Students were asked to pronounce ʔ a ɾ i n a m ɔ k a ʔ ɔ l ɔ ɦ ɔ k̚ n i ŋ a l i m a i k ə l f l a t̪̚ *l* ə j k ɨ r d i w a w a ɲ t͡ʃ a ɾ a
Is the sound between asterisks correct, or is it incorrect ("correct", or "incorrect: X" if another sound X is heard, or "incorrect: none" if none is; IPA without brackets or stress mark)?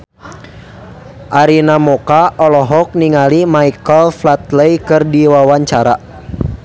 correct